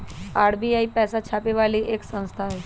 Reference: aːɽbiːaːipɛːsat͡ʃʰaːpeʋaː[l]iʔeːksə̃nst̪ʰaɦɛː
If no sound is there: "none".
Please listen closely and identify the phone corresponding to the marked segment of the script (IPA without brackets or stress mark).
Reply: l